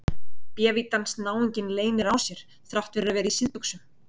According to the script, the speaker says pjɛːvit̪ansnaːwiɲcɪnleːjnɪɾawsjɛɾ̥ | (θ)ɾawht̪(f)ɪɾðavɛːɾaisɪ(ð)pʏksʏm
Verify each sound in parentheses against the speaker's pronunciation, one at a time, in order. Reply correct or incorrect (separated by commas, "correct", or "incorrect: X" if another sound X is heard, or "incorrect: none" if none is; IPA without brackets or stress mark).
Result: correct, incorrect: v, correct